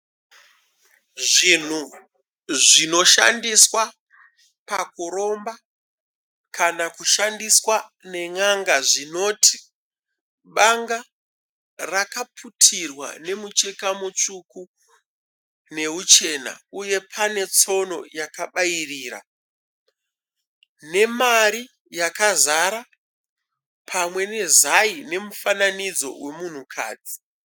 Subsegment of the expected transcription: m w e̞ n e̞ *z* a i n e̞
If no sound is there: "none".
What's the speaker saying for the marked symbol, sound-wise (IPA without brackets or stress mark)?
z